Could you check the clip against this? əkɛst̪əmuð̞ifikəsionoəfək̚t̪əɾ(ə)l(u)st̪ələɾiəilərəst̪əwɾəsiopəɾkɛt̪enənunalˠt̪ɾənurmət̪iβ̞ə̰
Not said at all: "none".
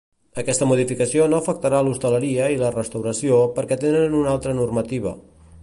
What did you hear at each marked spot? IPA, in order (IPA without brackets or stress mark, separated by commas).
a, u